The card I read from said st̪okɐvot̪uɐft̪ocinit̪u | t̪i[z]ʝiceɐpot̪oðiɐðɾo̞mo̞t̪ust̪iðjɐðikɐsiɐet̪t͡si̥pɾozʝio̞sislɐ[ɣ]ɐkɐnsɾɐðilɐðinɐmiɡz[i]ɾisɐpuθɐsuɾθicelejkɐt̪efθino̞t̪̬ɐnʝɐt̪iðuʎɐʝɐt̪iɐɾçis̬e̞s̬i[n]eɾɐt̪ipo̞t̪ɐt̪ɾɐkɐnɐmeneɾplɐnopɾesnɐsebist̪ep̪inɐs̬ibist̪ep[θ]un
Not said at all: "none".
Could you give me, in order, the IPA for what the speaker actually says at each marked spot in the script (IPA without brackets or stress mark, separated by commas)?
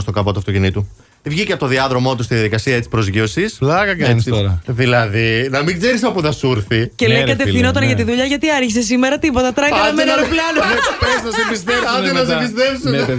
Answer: v, ɣ, e, m, s